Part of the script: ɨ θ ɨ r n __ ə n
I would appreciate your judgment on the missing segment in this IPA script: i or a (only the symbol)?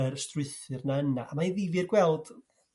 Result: a